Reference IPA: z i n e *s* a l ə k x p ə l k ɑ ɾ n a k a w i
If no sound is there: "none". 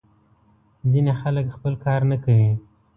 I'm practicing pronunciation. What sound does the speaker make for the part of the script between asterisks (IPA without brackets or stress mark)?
x